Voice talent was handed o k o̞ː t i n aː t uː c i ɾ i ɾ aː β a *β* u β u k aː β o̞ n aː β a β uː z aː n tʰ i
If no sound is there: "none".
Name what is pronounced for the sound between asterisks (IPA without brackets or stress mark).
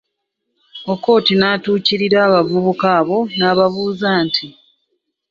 v